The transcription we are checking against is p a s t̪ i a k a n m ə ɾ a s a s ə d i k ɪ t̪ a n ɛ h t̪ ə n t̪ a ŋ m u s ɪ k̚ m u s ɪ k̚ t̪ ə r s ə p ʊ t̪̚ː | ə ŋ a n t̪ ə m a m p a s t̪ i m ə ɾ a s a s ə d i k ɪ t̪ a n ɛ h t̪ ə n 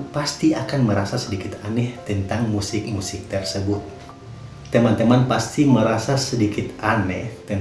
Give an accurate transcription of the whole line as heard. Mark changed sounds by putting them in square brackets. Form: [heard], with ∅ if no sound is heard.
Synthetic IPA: p a s t̪ i a k a n m ə ɾ a s a s ə d i k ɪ t̪ a n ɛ h t̪ ə n t̪ a ŋ m u s ɪ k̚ m u s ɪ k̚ t̪ ə r s ə [b] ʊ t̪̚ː | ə [m] a n t̪ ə m a [n] p a s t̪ i m ə ɾ a s a s ə d i k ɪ t̪ a n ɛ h t̪ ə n